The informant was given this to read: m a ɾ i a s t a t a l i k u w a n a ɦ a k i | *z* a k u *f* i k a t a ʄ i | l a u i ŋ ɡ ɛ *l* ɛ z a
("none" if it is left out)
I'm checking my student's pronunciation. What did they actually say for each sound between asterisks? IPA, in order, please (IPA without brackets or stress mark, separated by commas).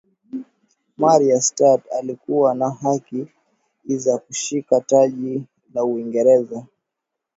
z, ʃ, ɾ